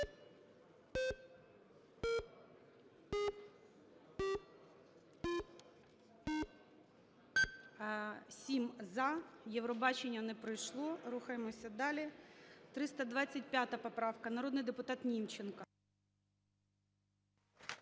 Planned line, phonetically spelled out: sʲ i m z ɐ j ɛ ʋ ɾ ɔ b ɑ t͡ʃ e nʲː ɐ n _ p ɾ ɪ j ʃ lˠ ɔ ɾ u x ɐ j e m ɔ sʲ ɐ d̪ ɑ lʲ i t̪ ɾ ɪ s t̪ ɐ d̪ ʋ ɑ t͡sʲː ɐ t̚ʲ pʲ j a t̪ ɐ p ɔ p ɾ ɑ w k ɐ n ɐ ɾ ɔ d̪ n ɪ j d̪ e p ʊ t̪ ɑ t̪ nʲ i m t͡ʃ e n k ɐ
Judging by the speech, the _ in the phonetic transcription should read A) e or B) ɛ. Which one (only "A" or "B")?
B